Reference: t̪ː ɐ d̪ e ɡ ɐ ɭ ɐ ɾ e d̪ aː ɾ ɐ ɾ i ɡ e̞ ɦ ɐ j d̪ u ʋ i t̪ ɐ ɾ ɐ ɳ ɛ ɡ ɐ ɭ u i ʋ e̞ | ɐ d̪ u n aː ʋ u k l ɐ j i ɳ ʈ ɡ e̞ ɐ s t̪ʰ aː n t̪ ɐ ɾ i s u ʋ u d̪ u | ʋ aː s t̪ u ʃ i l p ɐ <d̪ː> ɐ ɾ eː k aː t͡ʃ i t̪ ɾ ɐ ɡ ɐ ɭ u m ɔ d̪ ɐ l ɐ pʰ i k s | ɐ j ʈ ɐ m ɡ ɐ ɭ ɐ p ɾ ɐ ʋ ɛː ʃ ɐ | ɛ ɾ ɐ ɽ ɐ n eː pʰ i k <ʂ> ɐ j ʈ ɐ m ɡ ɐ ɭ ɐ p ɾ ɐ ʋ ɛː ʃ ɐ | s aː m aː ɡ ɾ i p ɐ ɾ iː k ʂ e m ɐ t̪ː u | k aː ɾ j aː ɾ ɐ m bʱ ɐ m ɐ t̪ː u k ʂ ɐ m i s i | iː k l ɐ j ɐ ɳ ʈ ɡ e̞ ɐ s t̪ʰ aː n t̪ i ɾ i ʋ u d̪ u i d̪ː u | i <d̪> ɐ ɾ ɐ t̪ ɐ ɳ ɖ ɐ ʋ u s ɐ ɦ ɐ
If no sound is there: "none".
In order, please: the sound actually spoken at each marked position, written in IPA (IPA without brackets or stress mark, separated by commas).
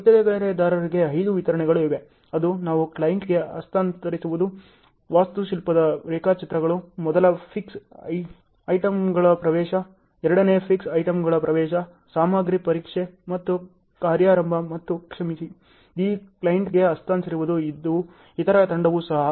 d̪, s, t̪